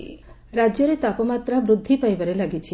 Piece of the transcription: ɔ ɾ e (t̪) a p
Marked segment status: correct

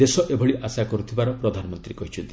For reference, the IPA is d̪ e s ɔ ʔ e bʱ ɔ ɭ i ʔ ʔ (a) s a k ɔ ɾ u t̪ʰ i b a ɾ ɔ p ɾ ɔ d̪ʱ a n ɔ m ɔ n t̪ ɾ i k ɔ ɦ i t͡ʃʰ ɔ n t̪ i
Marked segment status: correct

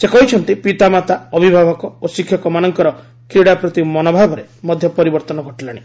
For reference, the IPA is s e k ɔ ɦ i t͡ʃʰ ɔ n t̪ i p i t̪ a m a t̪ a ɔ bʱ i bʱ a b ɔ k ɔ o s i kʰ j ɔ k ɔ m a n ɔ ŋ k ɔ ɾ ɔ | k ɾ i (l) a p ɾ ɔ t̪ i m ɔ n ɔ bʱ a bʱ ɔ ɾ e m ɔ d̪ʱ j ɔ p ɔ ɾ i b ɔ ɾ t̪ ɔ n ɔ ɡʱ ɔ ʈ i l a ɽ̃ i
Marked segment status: incorrect: ɽ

